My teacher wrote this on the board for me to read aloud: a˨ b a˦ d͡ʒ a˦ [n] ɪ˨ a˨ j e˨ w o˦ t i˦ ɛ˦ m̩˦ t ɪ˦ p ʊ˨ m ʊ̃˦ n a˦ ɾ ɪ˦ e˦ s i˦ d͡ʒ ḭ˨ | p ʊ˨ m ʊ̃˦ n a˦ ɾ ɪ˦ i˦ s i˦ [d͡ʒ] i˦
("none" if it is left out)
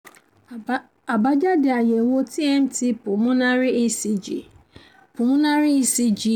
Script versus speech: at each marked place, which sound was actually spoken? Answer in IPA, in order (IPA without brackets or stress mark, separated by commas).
d, d͡ʒ